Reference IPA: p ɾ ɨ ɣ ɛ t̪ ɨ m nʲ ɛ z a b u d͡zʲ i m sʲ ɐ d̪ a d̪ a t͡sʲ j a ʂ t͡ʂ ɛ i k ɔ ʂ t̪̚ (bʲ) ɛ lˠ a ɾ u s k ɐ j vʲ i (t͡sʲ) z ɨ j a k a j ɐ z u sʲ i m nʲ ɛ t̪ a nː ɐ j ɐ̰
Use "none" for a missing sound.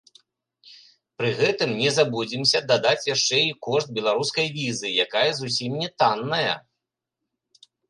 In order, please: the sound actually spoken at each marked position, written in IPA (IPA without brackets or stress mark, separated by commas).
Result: bʲ, none